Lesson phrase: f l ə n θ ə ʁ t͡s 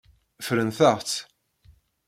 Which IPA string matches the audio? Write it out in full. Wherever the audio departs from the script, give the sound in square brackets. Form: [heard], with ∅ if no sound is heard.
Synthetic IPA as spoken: f [ɾ] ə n θ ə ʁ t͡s